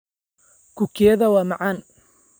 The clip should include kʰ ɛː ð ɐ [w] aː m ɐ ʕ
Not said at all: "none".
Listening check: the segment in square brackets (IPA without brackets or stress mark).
w